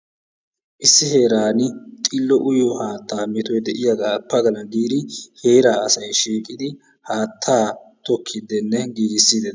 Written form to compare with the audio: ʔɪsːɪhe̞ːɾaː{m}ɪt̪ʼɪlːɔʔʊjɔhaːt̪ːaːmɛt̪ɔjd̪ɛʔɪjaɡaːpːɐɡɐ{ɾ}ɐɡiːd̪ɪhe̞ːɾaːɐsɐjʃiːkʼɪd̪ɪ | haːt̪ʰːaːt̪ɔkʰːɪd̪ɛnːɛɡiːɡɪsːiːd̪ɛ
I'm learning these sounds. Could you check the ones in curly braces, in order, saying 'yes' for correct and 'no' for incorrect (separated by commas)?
no, no